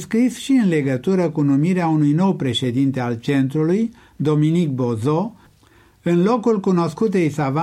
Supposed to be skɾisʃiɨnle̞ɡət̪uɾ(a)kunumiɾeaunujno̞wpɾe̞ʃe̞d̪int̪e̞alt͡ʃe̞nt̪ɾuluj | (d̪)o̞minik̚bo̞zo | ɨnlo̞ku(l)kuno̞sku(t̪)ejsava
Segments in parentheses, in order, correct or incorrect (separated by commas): incorrect, correct, correct, correct